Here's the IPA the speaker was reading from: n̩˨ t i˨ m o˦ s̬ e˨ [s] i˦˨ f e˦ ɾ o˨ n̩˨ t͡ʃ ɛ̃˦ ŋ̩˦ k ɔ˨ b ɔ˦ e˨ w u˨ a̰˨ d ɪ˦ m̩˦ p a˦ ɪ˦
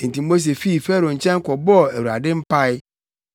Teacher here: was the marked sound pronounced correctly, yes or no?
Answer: no